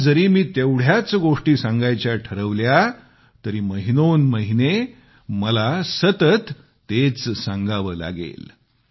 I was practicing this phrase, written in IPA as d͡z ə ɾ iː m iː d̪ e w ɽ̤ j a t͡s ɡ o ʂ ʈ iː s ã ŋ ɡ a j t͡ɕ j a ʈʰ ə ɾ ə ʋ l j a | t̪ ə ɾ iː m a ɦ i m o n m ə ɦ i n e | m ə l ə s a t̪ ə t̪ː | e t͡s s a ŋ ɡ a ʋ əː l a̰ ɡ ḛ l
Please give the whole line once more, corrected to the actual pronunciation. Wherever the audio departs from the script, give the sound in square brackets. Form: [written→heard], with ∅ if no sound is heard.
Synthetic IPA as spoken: d͡z ə ɾ iː m iː [d̪→t̪] e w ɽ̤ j a t͡s ɡ o ʂ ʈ iː s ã ŋ ɡ a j t͡ɕ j a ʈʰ ə ɾ ə ʋ l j a | t̪ ə ɾ iː m [a→ə] ɦ i [m→n] o n m ə ɦ i n e | m ə l [ə→a] s [a→ə] t̪ ə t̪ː | e t͡s s a ŋ ɡ a ʋ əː l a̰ ɡ ḛ l